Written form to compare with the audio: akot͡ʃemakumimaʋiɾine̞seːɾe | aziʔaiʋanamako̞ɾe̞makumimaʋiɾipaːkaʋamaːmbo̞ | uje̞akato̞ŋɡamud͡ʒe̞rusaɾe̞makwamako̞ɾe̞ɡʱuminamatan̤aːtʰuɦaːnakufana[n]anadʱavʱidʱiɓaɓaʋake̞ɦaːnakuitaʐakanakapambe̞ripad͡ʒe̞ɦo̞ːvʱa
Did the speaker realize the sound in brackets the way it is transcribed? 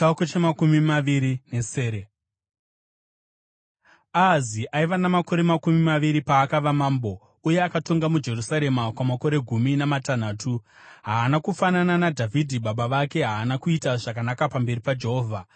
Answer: yes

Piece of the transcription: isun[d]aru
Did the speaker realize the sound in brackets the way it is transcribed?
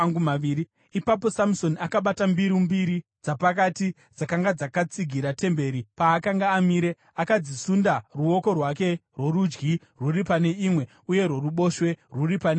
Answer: yes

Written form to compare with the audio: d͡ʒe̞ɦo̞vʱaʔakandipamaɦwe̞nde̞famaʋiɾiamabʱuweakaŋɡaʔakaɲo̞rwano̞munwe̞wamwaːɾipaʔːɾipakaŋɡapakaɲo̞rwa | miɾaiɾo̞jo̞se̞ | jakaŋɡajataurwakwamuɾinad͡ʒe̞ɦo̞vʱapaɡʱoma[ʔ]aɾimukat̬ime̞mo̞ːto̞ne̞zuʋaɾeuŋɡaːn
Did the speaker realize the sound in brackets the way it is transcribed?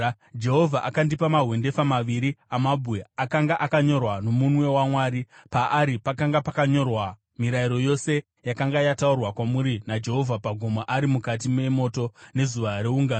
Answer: yes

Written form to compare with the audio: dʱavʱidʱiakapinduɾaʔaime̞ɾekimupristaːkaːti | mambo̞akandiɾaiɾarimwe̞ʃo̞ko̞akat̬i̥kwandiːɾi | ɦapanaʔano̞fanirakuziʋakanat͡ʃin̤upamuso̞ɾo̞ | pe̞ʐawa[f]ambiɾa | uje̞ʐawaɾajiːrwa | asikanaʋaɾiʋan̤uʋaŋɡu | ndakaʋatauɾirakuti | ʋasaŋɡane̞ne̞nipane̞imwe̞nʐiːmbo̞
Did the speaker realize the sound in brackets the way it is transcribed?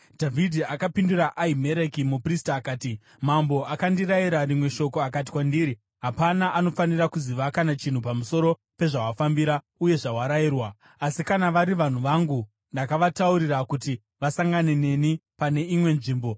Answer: yes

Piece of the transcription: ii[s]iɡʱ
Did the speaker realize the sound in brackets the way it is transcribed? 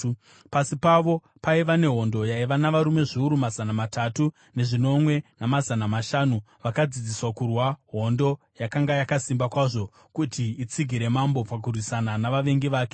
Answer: no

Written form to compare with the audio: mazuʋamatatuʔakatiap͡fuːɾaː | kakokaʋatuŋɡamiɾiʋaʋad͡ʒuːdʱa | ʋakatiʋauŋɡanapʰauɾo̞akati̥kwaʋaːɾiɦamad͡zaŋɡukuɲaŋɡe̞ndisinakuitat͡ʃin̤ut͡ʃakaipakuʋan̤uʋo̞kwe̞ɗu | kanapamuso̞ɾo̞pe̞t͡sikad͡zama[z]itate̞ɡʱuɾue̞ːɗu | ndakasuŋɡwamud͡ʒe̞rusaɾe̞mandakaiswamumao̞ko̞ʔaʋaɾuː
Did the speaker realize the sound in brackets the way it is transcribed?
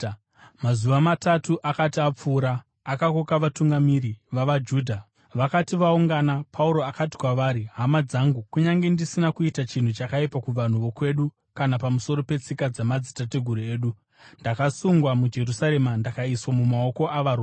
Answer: no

